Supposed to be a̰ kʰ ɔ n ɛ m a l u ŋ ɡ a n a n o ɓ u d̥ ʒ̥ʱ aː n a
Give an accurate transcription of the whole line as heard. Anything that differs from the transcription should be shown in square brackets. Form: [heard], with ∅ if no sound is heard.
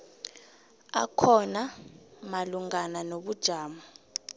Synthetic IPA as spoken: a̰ kʰ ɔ n [a] m a l u ŋ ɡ a n a n o ɓ u d̥ ʒ̥ʱ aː [m] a